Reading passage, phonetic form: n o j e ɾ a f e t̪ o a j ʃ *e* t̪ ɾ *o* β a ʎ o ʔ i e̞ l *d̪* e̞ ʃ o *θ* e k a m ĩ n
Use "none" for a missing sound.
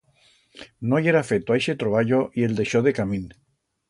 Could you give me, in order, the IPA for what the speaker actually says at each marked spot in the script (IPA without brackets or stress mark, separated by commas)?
e, o, d̪, ð